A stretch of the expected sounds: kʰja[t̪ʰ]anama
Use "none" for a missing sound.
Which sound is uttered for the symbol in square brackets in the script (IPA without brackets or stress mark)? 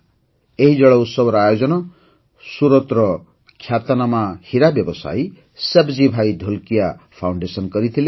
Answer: t̪